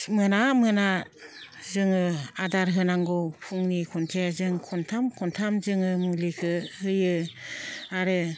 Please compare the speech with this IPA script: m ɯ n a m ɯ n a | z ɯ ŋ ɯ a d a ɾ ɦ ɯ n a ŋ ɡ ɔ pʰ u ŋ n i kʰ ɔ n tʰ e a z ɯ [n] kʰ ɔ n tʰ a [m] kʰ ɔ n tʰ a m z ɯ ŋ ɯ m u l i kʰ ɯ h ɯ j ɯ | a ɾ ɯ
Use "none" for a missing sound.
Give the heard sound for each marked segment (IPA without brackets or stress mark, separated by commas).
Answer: ŋ, m